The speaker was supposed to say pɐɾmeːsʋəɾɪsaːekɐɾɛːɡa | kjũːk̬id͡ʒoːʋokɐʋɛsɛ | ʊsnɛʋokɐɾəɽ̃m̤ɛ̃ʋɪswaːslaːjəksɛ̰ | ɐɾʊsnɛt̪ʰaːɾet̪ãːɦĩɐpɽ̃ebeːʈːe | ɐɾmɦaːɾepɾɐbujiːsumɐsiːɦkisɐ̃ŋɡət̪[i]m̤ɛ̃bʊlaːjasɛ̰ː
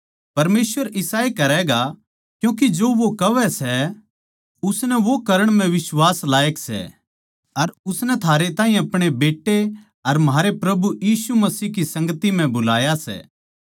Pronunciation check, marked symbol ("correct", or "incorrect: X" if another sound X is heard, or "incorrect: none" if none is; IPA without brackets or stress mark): correct